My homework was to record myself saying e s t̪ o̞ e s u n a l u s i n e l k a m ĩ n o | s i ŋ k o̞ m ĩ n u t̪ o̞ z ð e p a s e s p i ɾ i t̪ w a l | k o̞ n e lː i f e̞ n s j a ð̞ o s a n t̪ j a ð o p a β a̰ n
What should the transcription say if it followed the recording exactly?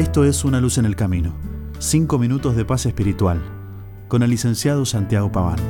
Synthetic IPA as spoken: e s t̪ o̞ e s u n a l u s e n e l k a m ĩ n o | s i ŋ k o̞ m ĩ n u t̪ o̞ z ð e p a s e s p i ɾ i t̪ w a l | k o̞ n e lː i s e̞ n s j a ð̞ o s a n t̪ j a ɣ o p a β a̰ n